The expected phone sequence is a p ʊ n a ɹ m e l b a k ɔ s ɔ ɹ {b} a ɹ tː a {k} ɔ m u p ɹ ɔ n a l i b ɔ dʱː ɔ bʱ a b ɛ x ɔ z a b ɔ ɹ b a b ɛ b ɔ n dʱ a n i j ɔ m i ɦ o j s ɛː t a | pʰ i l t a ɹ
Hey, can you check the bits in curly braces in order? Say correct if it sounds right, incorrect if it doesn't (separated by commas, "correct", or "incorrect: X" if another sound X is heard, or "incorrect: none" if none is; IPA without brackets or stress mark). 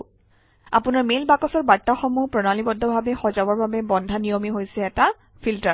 correct, incorrect: x